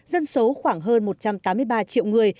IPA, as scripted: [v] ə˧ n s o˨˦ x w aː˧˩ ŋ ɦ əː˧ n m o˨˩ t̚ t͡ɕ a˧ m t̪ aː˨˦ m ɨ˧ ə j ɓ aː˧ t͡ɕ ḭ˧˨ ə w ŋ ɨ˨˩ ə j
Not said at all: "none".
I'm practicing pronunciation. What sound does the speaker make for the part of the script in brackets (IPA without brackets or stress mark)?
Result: z